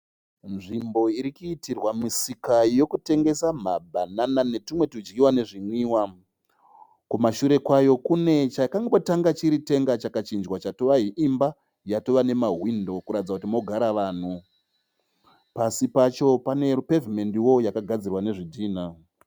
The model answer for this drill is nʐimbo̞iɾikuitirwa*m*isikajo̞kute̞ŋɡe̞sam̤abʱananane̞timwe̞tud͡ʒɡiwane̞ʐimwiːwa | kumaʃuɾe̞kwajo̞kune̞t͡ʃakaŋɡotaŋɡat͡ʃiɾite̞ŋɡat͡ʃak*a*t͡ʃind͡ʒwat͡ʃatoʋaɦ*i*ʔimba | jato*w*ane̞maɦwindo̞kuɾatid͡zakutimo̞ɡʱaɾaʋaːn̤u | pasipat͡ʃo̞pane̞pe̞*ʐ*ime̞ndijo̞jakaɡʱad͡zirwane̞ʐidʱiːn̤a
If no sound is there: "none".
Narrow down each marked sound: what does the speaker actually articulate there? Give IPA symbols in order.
m, a, i, ʋ, v

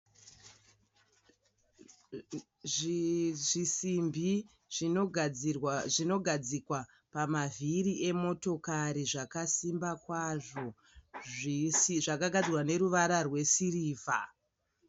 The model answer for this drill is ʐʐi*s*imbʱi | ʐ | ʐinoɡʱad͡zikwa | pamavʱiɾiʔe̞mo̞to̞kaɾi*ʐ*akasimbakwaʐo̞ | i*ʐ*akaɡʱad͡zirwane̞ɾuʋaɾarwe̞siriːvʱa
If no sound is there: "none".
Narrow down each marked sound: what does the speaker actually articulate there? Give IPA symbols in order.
s, ʐ, ʐ

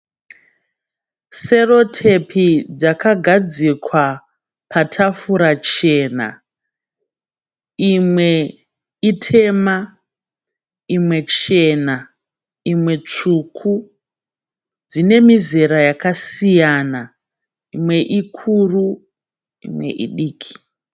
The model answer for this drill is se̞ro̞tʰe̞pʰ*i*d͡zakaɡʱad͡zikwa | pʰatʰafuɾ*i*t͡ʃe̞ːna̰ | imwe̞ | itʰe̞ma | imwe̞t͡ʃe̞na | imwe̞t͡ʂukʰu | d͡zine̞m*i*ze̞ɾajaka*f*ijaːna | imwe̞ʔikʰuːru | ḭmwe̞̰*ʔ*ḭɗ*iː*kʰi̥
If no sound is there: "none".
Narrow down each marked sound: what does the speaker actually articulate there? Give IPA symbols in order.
i, a, i, s, ʔ, iː

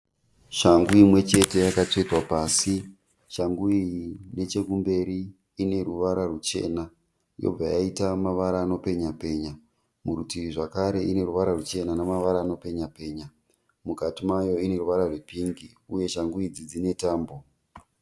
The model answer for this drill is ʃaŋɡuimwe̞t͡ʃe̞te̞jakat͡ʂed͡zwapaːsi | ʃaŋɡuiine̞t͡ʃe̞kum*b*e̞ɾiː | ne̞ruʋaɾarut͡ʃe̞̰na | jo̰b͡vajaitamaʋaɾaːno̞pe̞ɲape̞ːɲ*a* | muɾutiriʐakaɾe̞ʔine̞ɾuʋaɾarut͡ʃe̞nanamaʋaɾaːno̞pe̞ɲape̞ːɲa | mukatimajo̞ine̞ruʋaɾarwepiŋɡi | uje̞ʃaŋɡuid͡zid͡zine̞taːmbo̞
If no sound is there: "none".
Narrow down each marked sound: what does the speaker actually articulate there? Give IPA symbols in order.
b, a

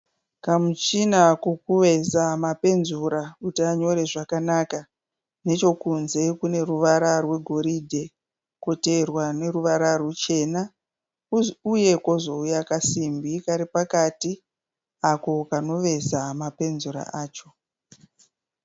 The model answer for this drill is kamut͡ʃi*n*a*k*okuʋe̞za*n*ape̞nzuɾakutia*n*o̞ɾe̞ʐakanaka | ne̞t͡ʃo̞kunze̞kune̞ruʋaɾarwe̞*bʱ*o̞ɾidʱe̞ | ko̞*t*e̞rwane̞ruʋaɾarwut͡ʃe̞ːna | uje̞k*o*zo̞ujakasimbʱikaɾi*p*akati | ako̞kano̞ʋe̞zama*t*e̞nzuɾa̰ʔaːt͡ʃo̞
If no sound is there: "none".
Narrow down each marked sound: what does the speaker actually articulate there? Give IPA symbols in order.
n, k, m, ɲ, ɡʱ, t, o, p, p

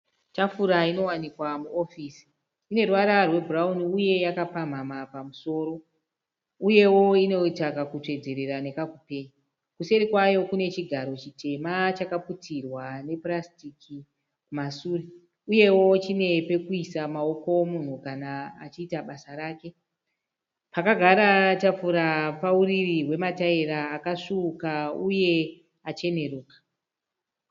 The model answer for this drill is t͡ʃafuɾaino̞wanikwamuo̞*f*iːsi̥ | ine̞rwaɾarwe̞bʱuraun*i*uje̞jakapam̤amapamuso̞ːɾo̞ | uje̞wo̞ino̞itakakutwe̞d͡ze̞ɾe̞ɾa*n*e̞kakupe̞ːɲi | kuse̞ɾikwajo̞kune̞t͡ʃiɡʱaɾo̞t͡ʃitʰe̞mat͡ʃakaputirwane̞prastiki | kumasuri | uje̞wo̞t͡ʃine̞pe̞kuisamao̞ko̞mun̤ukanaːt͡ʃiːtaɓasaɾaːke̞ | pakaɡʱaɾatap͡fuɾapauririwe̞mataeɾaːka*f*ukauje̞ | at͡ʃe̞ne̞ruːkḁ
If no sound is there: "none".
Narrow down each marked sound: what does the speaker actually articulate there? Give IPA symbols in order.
f, i, n, ʂ

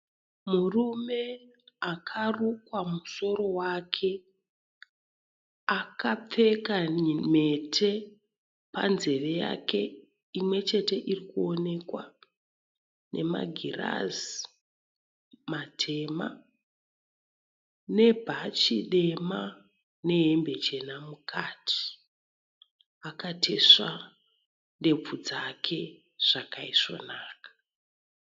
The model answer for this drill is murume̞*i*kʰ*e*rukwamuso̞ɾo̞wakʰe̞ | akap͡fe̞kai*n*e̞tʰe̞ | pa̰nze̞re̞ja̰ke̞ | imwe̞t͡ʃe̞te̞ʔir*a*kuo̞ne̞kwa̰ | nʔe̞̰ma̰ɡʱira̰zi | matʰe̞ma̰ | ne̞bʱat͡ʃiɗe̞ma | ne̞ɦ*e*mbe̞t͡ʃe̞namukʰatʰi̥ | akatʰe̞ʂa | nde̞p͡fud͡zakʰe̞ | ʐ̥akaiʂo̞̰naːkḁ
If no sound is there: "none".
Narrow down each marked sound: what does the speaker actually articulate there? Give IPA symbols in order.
a, a, m, i, e

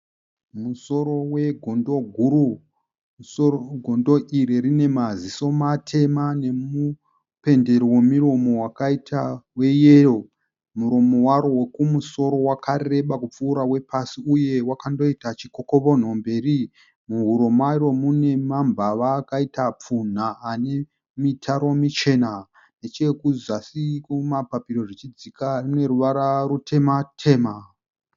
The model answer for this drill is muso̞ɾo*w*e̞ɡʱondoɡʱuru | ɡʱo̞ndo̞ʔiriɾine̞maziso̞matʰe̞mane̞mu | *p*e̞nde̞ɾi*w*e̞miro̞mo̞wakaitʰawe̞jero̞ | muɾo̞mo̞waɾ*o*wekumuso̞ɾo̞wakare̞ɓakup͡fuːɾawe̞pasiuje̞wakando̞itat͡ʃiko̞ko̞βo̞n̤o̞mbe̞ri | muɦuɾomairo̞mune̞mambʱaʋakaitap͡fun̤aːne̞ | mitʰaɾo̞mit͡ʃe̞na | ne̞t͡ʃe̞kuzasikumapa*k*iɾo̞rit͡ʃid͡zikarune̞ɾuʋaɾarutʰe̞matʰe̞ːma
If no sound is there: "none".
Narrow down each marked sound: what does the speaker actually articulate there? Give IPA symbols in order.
w, p, w, o, p

